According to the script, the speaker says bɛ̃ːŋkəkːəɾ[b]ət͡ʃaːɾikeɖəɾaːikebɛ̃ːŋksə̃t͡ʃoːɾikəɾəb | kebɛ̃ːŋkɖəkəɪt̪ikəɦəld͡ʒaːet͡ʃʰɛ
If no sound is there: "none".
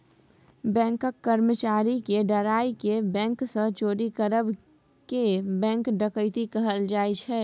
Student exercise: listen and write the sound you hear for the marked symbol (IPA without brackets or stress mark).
m